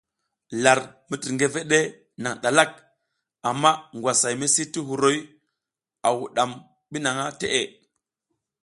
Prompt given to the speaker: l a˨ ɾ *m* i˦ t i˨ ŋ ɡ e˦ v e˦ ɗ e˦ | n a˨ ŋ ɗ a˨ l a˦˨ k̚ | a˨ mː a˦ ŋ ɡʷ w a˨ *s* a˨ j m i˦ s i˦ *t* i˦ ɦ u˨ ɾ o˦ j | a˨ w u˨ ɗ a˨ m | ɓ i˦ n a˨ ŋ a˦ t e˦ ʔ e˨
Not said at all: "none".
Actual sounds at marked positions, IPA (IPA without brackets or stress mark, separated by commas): m, s, t